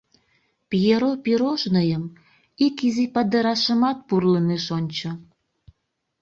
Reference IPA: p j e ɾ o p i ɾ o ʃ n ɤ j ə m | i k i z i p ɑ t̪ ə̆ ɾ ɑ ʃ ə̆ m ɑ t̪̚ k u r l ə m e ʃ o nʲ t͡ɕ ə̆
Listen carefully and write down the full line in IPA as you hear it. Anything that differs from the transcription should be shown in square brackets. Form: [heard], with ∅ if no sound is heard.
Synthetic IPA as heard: p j e ɾ o p i ɾ o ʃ n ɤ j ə m | i k i z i p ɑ [d̪] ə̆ ɾ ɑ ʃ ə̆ m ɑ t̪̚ [p] u r l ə [n] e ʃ o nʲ t͡ɕ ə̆